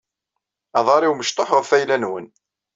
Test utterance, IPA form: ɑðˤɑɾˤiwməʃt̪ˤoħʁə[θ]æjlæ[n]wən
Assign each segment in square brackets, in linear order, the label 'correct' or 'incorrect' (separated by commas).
incorrect, correct